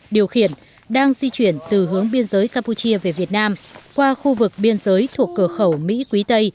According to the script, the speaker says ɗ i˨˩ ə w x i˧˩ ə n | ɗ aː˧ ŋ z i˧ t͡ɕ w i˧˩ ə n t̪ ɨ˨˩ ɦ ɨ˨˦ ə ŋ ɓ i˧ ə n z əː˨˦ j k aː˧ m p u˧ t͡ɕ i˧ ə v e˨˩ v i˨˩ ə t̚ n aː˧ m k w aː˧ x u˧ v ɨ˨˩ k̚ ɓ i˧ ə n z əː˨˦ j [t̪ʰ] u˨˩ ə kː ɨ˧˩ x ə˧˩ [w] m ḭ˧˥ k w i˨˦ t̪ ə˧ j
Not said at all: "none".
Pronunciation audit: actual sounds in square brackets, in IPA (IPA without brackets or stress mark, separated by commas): t̪ʰ, w